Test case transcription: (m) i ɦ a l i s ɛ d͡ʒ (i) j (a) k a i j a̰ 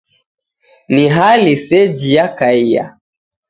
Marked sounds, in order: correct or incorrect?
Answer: incorrect: n, correct, correct

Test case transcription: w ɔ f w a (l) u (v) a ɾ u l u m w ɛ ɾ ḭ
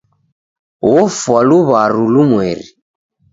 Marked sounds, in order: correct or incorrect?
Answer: correct, incorrect: β

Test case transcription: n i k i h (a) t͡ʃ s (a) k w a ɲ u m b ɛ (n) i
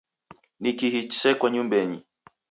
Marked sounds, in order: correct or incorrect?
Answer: incorrect: i, incorrect: ɛ, incorrect: ɲ

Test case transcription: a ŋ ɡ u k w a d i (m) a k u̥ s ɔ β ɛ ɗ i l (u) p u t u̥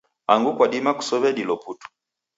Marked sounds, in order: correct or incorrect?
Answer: correct, incorrect: ɔ

